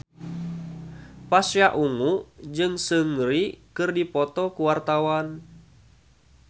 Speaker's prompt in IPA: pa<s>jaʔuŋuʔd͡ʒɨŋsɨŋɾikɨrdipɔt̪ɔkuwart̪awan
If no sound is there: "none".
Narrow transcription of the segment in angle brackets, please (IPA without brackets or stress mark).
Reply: s